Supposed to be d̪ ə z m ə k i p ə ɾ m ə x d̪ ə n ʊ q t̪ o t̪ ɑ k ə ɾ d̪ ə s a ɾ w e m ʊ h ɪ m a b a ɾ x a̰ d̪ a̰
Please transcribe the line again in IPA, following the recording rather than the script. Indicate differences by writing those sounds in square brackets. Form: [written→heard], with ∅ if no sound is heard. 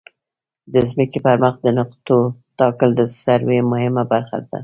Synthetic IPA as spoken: d̪ ə z m ə k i p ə ɾ m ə x d̪ ə n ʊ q t̪ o t̪ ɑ k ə [ɾ→l] d̪ ə s a ɾ w e m ʊ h ɪ m a b a ɾ x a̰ d̪ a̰